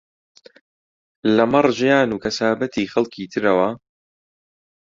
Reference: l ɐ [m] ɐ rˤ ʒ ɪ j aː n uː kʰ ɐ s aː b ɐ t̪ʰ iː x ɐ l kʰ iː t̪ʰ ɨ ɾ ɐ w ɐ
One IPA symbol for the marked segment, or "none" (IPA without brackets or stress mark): m